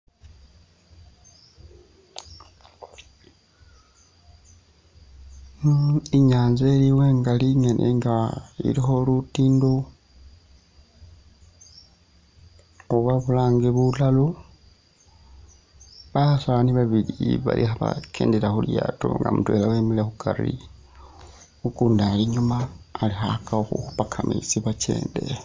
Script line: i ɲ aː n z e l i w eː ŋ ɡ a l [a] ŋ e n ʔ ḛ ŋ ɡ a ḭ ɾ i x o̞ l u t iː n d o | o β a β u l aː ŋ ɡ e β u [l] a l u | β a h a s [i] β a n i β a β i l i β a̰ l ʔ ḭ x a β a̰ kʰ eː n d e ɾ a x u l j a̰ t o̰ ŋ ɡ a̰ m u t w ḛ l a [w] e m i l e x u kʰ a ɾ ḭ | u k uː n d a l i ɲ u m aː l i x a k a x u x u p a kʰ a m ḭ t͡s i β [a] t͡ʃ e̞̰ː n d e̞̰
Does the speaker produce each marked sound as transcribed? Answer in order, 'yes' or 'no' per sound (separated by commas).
no, yes, no, yes, yes